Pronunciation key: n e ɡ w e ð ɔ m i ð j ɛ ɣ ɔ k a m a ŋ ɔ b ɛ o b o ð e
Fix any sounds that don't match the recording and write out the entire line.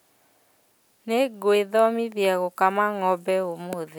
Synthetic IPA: n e ɡ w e ð ɔ m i ð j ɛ ɣ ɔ k a m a ŋ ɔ b ɛ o m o ð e